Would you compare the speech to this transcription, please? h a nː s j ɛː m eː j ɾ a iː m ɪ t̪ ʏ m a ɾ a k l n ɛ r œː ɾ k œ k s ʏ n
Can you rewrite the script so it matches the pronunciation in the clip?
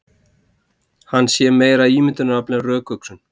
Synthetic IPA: h a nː s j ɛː m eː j ɾ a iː m ɪ t̪ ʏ n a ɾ a p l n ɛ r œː k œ k s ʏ n